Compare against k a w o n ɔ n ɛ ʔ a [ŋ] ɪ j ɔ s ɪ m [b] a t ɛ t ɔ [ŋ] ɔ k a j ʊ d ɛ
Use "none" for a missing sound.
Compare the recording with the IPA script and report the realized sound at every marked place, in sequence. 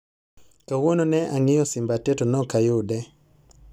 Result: ŋ, b, n

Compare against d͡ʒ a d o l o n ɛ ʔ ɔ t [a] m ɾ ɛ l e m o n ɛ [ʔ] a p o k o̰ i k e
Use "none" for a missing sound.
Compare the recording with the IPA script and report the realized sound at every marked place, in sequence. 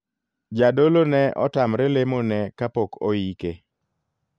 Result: a, k

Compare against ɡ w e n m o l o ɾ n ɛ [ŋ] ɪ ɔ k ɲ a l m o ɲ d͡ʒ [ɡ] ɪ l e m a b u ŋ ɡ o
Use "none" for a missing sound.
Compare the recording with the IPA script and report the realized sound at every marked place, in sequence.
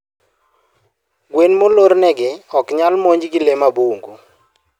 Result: ɡ, ɡ

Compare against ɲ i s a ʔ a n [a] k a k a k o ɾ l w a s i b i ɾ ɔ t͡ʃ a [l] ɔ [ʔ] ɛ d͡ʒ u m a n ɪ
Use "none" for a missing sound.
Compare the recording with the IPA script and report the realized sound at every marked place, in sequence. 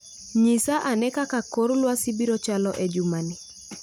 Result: ɛ, l, ʔ

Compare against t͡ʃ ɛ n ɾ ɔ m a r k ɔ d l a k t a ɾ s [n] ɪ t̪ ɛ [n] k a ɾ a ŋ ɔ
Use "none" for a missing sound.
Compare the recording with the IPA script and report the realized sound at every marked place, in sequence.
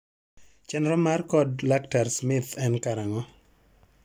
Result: m, n

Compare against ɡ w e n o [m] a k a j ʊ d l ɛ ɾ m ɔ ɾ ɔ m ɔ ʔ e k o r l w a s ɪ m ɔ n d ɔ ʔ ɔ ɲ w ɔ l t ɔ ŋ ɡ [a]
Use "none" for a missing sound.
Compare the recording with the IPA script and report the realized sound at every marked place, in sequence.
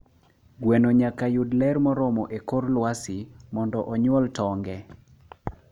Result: ɲ, ɛ

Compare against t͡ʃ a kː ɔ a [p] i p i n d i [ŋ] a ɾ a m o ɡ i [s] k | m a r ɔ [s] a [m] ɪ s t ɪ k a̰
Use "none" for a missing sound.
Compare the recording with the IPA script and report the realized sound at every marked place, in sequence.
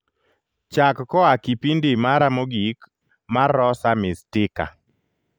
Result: k, m, none, s, m

